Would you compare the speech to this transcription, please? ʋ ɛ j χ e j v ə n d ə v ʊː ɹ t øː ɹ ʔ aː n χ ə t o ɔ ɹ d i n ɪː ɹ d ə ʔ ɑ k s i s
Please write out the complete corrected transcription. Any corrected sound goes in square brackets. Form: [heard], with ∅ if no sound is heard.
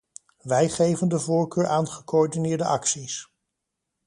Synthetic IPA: ʋ ɛ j χ e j v ə n d ə v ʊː ɹ [k] øː ɹ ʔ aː n χ ə [k] o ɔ ɹ d i n ɪː ɹ d ə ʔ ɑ k s i s

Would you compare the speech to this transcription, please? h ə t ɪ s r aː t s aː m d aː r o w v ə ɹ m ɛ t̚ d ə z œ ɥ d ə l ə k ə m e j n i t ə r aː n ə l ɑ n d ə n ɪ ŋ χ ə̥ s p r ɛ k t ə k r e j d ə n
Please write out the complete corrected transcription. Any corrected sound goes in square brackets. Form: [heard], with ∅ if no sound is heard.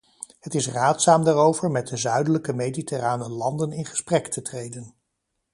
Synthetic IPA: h ə t ɪ s r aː t s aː m d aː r o w v ə ɹ m ɛ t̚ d ə z œ ɥ d ə l ə k ə m e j [d] i t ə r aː n ə l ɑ n d ə n ɪ [n] χ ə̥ s p r ɛ k t ə [t] r e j d ə n

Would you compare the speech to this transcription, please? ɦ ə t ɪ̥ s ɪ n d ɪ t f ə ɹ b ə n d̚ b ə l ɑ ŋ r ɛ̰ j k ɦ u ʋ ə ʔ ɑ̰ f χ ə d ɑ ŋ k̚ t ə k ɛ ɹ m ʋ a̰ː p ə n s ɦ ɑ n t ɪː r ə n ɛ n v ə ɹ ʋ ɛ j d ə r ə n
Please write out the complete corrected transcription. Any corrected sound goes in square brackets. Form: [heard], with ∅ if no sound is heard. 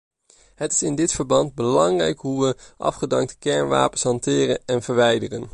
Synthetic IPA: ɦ ə t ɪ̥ s ɪ n d ɪ t f ə ɹ b [ɑ] n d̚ b ə l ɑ ŋ r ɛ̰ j k ɦ u ʋ ə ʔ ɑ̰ f χ ə d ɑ ŋ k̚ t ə k ɛ ɹ [n] ʋ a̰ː p ə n s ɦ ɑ n t ɪː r ə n ɛ n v ə ɹ ʋ ɛ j d ə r ə n

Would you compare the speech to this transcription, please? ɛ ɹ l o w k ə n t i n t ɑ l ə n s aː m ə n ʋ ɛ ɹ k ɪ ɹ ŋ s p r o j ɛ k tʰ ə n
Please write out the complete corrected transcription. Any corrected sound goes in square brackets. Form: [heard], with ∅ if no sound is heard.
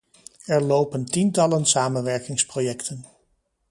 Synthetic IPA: ɛ ɹ l o w [p] ə n t i n t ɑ l ə n s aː m ə n ʋ ɛ ɹ k ɪ [∅] ŋ s p r o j ɛ k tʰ ə n

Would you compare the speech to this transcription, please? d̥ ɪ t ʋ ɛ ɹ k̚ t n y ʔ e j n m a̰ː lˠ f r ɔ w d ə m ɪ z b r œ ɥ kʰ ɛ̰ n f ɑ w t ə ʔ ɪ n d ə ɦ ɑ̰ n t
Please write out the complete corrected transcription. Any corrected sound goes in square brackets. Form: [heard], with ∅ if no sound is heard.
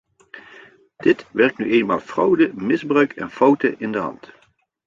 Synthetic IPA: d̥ ɪ t ʋ ɛ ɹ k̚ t n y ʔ e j n m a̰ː lˠ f r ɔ w d ə m ɪ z b r œ ɥ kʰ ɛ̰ n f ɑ w t ə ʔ ɪ n d ə ɦ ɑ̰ n t

